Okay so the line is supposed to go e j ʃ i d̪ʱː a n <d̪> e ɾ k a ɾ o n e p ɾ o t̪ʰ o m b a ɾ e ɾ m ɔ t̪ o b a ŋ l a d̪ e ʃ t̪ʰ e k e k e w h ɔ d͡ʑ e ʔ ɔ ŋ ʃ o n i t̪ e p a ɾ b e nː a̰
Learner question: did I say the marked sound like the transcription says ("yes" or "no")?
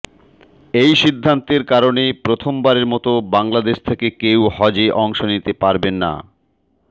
no